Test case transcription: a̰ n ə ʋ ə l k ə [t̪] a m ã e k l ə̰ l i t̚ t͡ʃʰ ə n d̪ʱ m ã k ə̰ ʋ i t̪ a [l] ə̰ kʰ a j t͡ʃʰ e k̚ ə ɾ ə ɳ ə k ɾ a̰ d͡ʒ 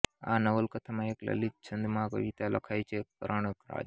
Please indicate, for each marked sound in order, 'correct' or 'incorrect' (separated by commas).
incorrect, correct